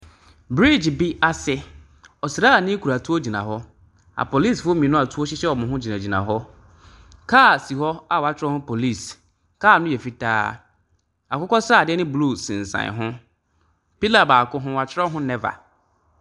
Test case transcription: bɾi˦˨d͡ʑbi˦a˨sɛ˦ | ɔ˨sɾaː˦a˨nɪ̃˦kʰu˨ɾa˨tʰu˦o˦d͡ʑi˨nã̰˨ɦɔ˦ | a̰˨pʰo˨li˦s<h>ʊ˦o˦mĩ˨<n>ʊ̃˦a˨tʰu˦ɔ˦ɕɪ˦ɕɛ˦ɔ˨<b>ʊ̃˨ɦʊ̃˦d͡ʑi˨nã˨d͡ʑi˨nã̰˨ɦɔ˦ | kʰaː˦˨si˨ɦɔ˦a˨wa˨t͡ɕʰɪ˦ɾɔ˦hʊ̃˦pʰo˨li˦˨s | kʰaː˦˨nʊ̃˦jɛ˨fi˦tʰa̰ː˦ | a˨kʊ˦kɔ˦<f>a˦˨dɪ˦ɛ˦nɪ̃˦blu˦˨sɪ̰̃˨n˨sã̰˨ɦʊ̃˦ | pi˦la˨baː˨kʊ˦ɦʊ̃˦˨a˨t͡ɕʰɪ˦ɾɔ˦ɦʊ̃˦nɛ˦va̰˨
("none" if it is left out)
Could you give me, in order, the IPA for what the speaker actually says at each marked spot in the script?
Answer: f, n, m, s

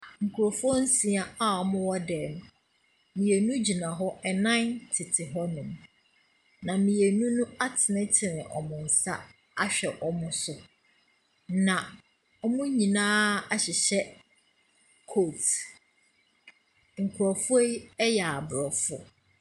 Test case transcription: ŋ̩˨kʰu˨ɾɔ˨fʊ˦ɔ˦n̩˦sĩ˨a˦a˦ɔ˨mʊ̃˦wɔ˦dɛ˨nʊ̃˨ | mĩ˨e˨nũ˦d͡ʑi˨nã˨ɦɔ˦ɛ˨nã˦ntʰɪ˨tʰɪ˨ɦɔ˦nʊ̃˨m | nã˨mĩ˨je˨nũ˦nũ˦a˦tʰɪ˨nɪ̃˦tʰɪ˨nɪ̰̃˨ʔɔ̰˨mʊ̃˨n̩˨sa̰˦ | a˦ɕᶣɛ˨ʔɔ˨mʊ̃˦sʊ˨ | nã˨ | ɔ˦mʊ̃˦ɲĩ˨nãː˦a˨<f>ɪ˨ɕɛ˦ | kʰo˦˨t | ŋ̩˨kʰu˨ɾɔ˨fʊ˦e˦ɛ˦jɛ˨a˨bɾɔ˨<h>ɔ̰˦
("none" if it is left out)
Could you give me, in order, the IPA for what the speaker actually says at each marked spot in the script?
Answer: ɕ, f

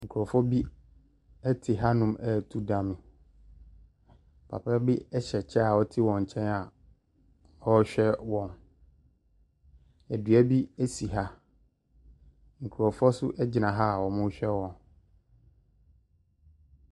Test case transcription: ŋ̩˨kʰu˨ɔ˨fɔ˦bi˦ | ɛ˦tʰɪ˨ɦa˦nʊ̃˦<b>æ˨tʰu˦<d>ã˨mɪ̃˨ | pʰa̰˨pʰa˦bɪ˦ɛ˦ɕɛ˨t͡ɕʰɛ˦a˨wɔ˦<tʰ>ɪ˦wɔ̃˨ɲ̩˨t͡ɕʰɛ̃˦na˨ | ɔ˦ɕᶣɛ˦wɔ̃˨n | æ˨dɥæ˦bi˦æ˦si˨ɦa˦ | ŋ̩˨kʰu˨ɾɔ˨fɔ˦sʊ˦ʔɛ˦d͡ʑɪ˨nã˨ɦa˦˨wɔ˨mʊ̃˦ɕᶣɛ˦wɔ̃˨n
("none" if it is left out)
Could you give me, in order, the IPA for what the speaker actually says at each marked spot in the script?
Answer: m, d, tʰ

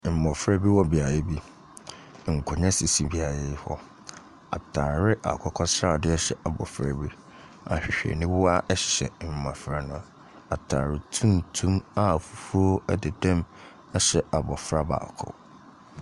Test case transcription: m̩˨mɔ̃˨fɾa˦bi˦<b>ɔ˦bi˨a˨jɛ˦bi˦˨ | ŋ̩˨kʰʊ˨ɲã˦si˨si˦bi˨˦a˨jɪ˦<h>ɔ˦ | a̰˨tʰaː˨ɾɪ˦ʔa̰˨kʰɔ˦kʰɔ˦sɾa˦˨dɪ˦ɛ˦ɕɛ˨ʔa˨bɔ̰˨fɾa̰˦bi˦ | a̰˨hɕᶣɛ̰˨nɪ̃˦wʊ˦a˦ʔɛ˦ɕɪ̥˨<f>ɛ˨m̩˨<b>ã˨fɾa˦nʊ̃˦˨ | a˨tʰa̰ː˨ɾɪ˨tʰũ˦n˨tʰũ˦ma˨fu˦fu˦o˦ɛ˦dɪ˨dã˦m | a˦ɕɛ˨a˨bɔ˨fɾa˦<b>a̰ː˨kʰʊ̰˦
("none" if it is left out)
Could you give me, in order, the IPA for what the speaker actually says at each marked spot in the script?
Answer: w, h, ɕ, m, b

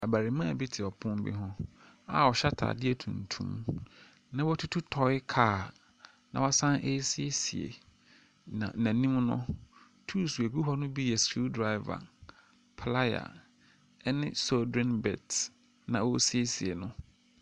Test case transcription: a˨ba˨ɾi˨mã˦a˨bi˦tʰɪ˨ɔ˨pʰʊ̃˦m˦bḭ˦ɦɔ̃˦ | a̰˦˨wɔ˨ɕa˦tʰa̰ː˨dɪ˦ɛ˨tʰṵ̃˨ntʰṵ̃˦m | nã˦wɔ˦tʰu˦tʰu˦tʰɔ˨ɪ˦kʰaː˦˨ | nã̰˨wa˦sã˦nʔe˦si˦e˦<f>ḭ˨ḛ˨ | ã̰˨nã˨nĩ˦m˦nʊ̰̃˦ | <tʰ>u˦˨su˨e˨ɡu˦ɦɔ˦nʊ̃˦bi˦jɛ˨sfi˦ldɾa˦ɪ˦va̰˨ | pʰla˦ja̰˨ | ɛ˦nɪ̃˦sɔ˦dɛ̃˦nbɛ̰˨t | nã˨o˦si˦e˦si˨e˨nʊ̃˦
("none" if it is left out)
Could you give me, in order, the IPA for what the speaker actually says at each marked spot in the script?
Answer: s, tʰ

